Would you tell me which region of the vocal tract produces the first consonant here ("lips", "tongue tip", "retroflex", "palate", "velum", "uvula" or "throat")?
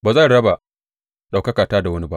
lips